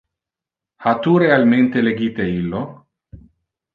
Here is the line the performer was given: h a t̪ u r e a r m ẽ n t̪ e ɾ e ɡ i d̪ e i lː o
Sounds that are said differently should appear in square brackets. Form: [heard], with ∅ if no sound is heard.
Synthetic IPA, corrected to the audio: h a t̪ u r e a [l] m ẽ n t̪ e [l] e ɡ i [t̪] e i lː o